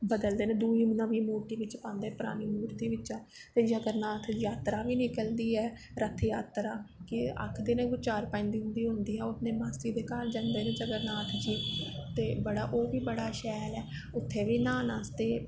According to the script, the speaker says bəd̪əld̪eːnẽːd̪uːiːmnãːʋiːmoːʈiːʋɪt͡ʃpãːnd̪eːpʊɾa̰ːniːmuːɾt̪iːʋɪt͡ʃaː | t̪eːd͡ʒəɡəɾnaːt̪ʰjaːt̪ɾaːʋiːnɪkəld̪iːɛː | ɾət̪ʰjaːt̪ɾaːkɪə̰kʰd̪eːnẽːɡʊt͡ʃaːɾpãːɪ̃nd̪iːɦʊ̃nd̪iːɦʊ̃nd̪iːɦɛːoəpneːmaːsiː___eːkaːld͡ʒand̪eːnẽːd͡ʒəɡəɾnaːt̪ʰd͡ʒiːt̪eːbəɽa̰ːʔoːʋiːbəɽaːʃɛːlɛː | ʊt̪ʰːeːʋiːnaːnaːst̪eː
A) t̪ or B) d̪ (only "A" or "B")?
B